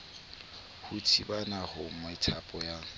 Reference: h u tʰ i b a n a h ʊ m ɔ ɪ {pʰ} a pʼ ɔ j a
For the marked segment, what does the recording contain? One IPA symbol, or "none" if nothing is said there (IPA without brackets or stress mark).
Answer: tʰ